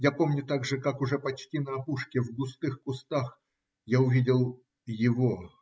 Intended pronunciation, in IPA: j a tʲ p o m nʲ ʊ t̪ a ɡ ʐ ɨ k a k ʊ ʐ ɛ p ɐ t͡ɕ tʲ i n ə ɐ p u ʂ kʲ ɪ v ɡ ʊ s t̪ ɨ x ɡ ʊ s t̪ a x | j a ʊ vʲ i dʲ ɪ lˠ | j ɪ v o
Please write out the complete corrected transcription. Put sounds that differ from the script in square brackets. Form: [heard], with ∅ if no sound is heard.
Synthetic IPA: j a [∅] p o m nʲ ʊ t̪ a ɡ ʐ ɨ k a k ʊ ʐ ɛ p ɐ t͡ɕ tʲ i n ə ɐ p u ʂ kʲ ɪ v ɡ ʊ s t̪ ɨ x [k] ʊ s t̪ a x | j a ʊ vʲ i dʲ ɪ lˠ | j ɪ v o